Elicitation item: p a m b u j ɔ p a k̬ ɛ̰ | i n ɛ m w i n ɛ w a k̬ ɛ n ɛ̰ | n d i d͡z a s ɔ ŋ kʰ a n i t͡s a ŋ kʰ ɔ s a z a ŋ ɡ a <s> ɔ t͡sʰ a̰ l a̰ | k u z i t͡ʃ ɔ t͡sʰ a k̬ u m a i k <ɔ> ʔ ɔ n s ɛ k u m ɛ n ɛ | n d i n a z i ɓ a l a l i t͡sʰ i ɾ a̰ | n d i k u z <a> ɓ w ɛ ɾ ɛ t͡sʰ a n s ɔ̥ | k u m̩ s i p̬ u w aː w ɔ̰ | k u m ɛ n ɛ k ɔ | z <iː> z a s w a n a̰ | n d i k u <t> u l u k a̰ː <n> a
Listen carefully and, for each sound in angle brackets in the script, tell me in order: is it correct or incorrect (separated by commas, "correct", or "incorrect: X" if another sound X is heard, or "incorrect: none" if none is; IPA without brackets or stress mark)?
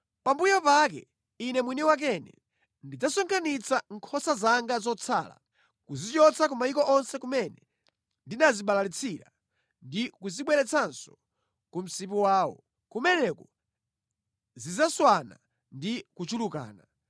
incorrect: z, correct, incorrect: i, incorrect: i, incorrect: t͡ʃ, correct